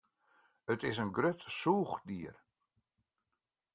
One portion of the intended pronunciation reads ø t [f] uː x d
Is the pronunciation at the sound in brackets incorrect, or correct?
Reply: incorrect